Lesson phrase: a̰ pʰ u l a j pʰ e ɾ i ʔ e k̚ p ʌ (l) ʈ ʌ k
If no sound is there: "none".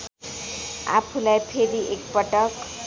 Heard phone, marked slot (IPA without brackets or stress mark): none